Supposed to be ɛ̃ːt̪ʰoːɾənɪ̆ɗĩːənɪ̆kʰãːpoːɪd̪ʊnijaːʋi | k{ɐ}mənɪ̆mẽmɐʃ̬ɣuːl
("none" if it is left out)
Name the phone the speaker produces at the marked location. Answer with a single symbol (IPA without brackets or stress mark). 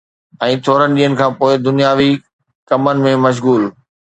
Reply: ɐ